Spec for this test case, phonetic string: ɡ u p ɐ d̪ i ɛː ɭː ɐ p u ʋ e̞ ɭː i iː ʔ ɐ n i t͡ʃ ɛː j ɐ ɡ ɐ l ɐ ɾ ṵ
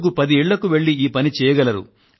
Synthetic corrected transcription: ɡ u p ɐ d̪ i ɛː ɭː ɐ k u ʋ e̞ ɭː i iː p ɐ n i t͡ʃ ɛː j ɐ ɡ ɐ l ɐ ɾ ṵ

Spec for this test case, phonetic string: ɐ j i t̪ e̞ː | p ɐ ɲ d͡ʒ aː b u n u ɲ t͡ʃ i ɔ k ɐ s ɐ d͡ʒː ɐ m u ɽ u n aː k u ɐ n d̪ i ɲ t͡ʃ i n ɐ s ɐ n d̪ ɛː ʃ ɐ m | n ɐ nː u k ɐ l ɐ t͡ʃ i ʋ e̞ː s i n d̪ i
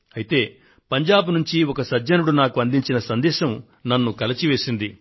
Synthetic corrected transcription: ɐ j i t̪ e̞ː | p ɐ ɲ d͡ʒ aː b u n u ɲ t͡ʃ i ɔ k ɐ s ɐ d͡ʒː ɐ n u ɽ u n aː k u ɐ n d̪ i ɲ t͡ʃ i n ɐ s ɐ n d̪ ɛː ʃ ɐ m | n ɐ nː u k ɐ l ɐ t͡ʃ i ʋ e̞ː s i n d̪ i

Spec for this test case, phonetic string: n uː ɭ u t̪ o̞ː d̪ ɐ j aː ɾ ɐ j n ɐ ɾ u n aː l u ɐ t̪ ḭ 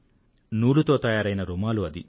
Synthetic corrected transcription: n uː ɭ u t̪ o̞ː t̪ ɐ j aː ɾ ɐ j n ɐ ɾ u m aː l u ɐ d̪ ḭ

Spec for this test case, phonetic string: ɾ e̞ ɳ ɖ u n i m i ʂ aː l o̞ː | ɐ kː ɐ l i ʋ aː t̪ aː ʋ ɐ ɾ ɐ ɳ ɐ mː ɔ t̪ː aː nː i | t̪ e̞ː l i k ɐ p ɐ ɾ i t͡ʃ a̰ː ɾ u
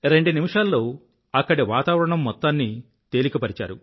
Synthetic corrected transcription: ɾ e̞ ɳ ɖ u n i m i ʂ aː lː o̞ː | ɐ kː ɐ ɽ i ʋ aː t̪ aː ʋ ɐ ɾ ɐ ɳ ɐ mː ɔ t̪ː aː nː i | t̪ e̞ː l i k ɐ p ɐ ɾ i t͡ʃ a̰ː ɾ u

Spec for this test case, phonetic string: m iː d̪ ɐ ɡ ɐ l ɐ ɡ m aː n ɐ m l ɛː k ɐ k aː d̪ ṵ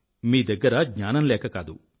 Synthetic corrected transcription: m iː d̪ ɐ ɡː ɐ ɾ ɐ ɡ ɲ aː n ɐ m l ɛː k ɐ k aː d̪ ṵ

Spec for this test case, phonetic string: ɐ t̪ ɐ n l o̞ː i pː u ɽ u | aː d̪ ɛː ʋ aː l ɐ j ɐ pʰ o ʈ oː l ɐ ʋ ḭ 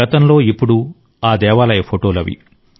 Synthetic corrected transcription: ɐ t̪ ɐ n l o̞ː i pː u ɽ u | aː d̪ ɛː ʋ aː l ɐ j ɐ pʰ o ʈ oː l ɐ ʋ ḭ

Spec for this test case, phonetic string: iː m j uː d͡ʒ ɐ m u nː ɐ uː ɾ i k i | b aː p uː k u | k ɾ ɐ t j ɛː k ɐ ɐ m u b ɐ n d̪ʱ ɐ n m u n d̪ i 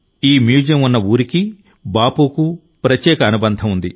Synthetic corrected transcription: iː m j uː d͡ʒ ɐ m u nː ɐ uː ɾ i k i | b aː p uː k u | p ɾ ɐ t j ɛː k ɐ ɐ n u b ɐ n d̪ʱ ɐ m u n d̪ i

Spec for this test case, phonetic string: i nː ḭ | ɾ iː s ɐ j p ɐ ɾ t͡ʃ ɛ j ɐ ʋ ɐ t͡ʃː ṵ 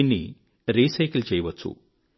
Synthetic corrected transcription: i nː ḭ | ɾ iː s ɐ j k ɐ l t͡ʃ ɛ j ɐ ʋ ɐ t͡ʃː ṵ

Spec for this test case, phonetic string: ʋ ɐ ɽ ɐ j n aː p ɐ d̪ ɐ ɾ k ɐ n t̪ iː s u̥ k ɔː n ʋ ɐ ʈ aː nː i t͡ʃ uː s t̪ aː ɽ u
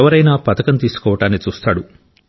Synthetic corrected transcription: ʋ ɐ ɾ ɐ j n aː p ɐ t̪ ɐ k ɐ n t̪ iː s u̥ k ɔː ʋ ɐ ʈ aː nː i t͡ʃ uː s t̪ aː ɽ u

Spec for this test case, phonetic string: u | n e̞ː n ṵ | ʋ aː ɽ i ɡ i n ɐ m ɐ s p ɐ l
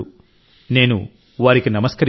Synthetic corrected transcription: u | n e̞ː n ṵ | ʋ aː ɾ i k i n ɐ m ɐ s k ɐ ɾ

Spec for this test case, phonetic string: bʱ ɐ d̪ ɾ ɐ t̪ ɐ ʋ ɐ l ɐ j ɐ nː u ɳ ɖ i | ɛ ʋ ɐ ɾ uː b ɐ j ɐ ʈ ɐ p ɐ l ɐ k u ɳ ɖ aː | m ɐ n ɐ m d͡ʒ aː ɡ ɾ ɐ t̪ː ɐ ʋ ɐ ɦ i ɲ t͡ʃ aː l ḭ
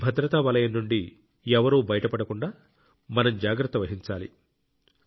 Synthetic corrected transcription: bʱ ɐ d̪ ɾ ɐ t̪ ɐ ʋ ɐ l ɐ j ɐ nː u ɳ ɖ i | ɛ ʋ ɐ ɾ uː b ɐ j ɐ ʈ ɐ p ɐ ɽ ɐ k u ɳ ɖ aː | m ɐ n ɐ m d͡ʒ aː ɡ ɾ ɐ t̪ː ɐ ʋ ɐ ɦ i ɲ t͡ʃ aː l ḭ

